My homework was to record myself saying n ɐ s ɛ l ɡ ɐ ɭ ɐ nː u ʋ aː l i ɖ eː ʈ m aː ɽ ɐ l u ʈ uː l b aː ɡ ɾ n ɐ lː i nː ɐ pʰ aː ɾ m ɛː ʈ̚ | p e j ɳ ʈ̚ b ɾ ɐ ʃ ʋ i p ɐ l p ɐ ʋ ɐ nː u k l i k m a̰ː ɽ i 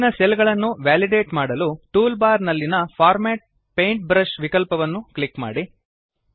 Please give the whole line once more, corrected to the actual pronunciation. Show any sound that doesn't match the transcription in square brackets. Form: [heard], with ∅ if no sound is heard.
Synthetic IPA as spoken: n ɐ s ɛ l ɡ ɐ ɭ ɐ nː u ʋ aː l i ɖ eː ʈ m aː ɽ ɐ l u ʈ uː l b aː [∅] ɾ n ɐ lː i [n] ɐ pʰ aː ɾ m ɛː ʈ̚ | p e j ɳ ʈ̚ b ɾ ɐ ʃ ʋ i [k] ɐ l p ɐ ʋ ɐ nː u k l i k m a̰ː ɽ i